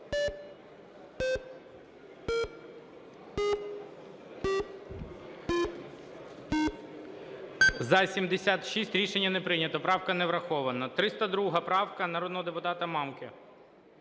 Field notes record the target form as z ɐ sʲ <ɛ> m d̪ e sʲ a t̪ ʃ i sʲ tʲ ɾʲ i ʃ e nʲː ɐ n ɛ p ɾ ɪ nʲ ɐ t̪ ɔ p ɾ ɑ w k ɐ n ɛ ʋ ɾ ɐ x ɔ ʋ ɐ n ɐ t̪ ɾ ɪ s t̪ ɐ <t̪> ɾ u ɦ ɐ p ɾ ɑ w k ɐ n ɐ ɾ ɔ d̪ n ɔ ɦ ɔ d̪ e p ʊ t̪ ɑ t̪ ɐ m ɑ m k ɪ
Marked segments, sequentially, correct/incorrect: incorrect, incorrect

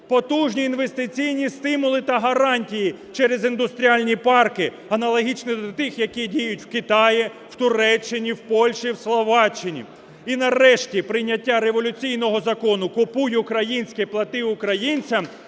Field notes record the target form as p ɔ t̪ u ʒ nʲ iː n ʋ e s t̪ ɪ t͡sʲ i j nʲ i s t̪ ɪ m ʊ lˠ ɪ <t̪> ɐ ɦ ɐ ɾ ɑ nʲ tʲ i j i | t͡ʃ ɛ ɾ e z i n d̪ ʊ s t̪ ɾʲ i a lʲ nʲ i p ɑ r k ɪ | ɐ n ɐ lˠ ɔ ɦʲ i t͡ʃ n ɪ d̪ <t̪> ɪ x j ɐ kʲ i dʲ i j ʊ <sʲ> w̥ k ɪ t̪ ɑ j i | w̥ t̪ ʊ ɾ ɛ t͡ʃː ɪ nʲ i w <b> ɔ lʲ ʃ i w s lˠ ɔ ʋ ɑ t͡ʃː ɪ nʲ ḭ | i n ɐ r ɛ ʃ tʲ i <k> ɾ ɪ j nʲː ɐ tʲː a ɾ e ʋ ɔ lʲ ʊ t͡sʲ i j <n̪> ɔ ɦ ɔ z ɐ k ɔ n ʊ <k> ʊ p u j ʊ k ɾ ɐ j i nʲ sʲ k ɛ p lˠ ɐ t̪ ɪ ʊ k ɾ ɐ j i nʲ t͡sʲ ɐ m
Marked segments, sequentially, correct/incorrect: correct, correct, incorrect, incorrect, incorrect, correct, correct

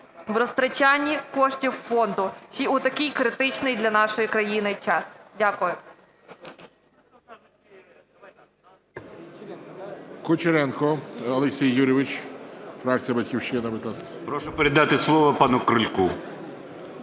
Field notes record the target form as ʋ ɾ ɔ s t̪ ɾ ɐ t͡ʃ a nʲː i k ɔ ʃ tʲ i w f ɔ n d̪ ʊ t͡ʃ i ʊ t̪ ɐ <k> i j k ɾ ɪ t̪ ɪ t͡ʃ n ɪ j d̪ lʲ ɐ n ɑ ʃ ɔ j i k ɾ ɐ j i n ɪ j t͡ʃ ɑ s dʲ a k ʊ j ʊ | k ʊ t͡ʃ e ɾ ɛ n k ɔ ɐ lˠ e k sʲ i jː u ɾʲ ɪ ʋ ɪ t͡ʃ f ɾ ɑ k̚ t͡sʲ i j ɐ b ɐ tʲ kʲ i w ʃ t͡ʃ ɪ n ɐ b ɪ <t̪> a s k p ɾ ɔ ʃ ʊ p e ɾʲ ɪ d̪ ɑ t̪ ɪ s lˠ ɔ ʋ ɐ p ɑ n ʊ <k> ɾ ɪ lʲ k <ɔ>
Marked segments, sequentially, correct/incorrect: correct, correct, correct, incorrect

